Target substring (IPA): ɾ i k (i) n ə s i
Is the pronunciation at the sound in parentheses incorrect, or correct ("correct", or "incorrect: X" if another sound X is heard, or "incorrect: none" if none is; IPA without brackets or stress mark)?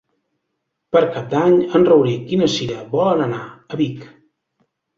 correct